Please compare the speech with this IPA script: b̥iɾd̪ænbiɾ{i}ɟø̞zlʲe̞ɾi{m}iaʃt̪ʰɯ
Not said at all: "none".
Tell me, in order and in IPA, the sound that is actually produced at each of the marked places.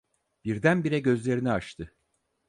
ɛ, n

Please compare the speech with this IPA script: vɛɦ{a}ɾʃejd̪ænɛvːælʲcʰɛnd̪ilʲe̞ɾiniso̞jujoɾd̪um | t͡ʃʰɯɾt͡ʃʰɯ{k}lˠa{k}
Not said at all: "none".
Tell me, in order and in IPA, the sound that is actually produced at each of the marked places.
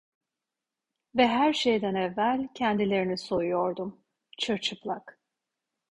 æ, p, k

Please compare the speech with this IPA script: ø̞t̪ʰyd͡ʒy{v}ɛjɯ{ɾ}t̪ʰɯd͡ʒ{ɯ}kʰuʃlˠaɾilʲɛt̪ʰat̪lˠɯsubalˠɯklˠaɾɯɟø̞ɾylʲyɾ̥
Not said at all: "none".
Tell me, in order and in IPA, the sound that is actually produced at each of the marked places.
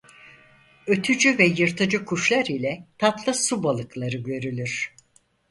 v, ɾ, ɯ

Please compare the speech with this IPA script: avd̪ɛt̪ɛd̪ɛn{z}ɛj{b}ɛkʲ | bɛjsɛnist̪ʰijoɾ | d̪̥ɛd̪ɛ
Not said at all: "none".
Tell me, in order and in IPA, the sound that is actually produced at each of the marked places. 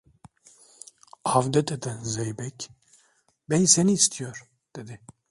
z, b

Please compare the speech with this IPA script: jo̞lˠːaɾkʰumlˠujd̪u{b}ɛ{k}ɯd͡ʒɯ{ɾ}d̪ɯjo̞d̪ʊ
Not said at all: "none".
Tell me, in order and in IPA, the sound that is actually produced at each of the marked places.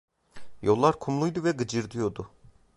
v, ɡ, ɾ

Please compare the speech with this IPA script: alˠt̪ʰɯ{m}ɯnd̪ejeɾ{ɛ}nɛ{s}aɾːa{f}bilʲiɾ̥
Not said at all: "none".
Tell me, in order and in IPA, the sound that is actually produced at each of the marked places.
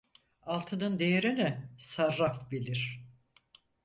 n, i, s, f

